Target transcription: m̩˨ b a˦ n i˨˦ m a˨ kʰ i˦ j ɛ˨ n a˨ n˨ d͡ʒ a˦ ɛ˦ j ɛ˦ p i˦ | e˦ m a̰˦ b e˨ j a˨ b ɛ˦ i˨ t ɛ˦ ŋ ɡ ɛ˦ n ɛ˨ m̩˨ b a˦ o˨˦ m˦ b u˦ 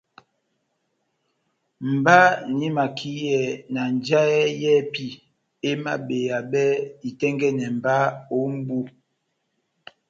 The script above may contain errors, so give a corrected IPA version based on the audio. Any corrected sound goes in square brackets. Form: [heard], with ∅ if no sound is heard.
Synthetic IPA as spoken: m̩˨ b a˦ n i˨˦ m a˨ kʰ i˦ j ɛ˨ n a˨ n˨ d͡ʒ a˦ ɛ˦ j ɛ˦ p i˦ | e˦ m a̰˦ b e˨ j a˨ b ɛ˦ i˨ t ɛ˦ ŋ ɡ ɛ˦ n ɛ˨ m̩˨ b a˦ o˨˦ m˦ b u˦